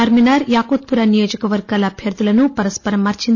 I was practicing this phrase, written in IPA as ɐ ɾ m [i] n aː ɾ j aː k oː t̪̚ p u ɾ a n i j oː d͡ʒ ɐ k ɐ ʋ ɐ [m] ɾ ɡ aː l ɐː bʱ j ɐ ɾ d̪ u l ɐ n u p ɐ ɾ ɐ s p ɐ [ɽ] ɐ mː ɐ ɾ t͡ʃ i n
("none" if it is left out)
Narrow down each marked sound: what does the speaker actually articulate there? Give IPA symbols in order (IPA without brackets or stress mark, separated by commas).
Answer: i, none, ɾ